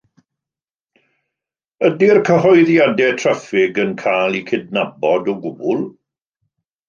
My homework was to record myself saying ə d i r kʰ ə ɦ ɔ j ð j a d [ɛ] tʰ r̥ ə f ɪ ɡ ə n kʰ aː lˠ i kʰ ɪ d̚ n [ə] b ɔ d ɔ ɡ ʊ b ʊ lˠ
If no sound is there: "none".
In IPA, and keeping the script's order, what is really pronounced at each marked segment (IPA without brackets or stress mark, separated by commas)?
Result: ɛ, a